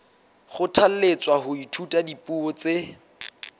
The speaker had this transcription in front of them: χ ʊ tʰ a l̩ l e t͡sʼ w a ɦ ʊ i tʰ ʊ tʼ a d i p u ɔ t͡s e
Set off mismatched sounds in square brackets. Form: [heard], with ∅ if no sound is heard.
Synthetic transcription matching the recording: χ ʊ tʰ a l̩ l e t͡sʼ w a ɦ ʊ i tʰ [u] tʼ a d i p u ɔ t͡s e